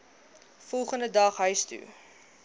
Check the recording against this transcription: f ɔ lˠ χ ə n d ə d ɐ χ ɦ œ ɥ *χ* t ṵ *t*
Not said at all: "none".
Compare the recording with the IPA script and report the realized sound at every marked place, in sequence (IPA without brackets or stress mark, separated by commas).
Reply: s, none